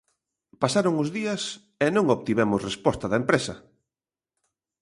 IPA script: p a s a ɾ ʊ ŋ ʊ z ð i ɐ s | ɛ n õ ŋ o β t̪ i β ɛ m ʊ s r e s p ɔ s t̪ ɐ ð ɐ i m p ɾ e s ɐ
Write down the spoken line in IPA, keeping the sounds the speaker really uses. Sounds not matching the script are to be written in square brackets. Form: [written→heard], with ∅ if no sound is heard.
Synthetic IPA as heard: p a s a ɾ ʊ ŋ ʊ z ð i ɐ s | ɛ n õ ŋ o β t̪ i β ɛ m ʊ s r e s p ɔ s t̪ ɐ ð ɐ [i→e] m p ɾ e s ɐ